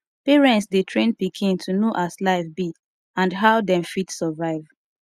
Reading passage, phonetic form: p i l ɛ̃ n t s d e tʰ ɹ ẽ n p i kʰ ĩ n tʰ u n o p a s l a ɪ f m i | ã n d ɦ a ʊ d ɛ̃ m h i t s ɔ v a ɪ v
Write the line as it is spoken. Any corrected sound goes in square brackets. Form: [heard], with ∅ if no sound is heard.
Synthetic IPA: p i [ɹ] ɛ̃ n t s d e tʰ ɹ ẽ n p i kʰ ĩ n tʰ u n o [ʔ] a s l a ɪ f [b] i | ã n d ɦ a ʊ d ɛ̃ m [f] i t s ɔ v a ɪ v